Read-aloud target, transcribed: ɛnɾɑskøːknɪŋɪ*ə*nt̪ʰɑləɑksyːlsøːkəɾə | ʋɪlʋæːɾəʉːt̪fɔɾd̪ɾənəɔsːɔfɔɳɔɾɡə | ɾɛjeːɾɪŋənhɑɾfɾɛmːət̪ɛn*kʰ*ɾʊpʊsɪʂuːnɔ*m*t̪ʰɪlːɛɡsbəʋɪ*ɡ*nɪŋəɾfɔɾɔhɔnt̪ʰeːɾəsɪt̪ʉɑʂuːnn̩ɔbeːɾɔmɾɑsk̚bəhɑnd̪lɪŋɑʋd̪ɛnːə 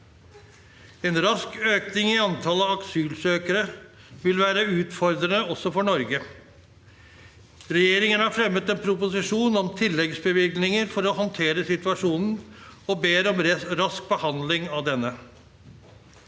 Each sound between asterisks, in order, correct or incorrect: incorrect: ɑ, incorrect: pʰ, correct, correct

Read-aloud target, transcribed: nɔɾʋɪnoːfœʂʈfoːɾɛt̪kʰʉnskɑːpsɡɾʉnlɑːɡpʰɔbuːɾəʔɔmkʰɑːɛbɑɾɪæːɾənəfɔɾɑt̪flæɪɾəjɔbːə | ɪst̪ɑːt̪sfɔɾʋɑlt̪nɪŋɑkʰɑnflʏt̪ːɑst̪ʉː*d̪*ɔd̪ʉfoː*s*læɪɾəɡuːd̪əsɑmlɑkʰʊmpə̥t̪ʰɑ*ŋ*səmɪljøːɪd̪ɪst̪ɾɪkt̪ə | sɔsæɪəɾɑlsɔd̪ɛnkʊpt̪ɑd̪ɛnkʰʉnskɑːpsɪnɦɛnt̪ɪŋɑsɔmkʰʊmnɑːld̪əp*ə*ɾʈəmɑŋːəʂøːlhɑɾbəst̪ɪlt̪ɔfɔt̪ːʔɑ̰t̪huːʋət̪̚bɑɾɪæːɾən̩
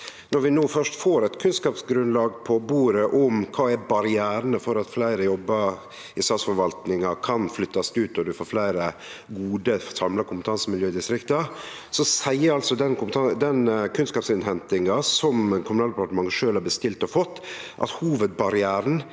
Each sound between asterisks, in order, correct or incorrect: incorrect: t̪, incorrect: f, incorrect: n, incorrect: ɑ

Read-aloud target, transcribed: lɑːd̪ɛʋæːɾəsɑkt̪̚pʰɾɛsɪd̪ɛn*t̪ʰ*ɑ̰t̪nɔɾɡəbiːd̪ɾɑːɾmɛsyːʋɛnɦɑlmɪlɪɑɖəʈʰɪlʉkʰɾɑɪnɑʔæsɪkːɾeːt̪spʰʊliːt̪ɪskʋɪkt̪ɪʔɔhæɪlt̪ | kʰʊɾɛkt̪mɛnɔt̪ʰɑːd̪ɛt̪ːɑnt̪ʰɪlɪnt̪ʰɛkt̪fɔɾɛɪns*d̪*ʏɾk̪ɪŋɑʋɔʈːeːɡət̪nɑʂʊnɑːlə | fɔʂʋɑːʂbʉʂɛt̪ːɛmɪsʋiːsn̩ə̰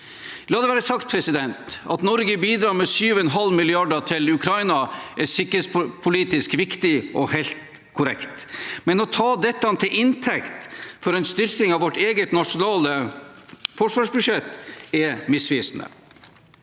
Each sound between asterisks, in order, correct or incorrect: incorrect: t̪, incorrect: t̪

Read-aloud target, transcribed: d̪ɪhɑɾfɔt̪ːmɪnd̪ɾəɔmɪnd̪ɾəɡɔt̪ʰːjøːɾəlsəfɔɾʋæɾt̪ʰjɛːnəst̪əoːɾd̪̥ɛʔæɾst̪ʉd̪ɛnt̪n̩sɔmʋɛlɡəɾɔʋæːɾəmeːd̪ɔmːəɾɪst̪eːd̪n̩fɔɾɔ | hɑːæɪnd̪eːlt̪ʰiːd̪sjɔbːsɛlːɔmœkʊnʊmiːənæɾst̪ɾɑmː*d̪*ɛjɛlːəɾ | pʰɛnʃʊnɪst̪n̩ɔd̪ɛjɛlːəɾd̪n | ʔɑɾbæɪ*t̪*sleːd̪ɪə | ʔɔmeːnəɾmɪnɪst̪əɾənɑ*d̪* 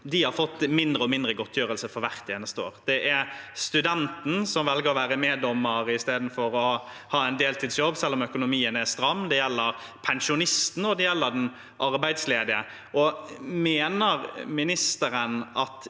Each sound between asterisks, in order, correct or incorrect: correct, incorrect: d̪, incorrect: t̪

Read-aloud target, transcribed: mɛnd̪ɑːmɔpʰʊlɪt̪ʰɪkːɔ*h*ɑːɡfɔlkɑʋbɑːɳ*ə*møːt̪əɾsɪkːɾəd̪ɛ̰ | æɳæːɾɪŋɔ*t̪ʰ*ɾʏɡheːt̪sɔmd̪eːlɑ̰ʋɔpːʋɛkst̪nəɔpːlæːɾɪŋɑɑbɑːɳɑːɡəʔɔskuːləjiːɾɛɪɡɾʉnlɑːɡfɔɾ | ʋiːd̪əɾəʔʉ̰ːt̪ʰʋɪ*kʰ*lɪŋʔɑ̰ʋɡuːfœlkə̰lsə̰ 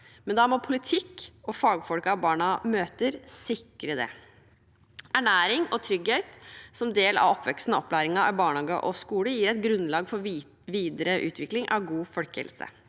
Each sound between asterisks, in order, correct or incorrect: incorrect: f, incorrect: ɑ, correct, incorrect: k

